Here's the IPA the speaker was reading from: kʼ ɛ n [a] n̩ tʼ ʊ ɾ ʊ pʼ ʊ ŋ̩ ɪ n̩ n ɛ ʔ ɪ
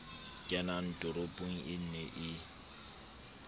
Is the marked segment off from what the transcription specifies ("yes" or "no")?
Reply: no